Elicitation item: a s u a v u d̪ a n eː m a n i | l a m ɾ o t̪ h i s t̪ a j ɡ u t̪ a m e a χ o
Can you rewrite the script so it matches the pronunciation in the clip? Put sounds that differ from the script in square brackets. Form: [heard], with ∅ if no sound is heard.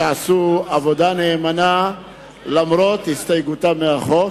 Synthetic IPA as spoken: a s u a v [o] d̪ a n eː m a n [a] | l a m ɾ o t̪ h i s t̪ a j ɡ u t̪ a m e a χ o